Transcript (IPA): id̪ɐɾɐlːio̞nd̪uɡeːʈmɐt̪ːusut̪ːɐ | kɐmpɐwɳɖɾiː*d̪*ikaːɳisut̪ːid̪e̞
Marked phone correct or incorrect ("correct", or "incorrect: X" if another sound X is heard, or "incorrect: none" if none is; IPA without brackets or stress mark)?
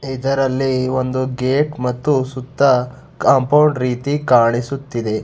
incorrect: t̪